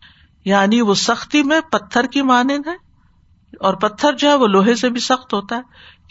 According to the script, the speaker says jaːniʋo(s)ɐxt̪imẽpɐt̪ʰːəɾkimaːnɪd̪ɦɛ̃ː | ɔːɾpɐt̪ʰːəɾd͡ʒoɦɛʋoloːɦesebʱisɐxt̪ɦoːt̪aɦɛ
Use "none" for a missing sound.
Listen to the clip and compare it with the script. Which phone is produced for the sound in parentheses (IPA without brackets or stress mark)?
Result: s